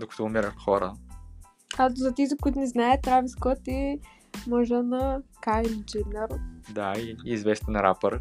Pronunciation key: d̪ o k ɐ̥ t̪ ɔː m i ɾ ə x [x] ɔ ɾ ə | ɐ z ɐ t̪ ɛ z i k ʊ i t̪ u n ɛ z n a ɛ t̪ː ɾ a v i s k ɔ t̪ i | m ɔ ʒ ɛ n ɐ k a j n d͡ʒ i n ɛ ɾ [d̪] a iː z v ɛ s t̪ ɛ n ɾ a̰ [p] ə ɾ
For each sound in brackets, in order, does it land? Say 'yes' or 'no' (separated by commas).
yes, yes, yes